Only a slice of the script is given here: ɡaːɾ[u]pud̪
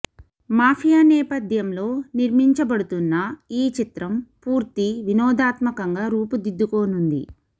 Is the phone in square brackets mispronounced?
yes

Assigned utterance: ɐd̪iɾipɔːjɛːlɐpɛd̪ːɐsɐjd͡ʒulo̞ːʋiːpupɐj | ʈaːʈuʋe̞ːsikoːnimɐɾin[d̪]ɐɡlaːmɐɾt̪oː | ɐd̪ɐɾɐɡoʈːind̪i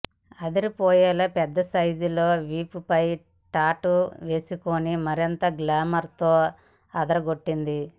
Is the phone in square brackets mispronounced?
yes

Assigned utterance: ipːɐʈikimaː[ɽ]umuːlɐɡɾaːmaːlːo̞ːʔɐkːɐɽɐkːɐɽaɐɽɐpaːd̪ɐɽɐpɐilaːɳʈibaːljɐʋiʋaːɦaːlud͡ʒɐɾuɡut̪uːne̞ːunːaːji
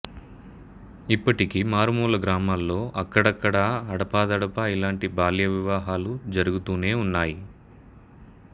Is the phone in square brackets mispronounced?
yes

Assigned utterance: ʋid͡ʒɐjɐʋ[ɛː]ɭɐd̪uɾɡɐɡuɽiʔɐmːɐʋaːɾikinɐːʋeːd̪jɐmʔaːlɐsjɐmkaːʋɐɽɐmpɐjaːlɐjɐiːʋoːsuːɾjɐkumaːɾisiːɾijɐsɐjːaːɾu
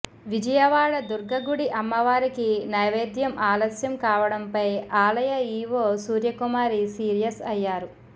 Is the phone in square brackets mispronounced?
yes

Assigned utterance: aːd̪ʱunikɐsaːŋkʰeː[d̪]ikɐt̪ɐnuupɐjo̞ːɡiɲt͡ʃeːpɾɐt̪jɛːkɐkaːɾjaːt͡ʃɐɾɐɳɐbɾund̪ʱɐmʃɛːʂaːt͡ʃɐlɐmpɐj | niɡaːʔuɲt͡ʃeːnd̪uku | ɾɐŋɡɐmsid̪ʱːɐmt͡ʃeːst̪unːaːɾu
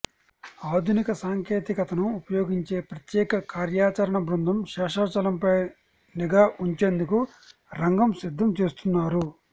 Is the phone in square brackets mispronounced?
yes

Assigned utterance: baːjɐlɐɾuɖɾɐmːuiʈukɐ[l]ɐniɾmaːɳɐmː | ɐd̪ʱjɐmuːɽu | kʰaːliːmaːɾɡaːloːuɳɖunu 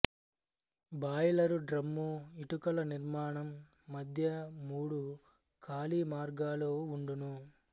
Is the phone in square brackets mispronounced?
no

